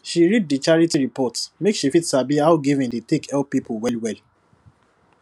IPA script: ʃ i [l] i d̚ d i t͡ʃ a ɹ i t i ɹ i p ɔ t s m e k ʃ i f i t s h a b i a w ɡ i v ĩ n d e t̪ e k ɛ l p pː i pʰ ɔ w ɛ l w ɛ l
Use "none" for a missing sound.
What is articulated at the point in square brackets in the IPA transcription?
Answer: ɹ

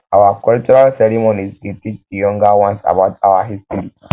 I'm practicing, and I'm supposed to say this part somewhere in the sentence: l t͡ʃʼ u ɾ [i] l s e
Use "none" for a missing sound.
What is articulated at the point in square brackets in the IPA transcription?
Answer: a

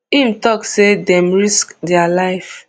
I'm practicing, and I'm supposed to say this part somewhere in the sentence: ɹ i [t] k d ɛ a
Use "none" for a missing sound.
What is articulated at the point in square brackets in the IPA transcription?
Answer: s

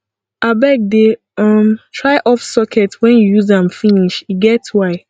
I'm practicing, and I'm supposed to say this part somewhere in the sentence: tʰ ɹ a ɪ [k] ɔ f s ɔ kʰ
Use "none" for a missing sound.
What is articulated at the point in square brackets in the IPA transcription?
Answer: ʔ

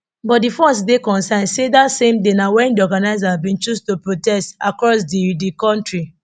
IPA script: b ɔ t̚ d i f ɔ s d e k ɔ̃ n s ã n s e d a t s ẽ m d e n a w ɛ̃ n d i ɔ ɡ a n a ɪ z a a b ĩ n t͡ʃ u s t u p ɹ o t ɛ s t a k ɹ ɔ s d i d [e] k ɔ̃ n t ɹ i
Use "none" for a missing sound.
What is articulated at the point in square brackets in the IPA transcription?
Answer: i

